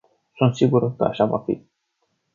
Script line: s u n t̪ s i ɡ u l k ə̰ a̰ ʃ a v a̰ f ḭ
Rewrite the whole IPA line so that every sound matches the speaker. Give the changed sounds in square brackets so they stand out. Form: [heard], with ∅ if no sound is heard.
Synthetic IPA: s u n t̪ s i ɡ u [ɾ] k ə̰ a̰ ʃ a v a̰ f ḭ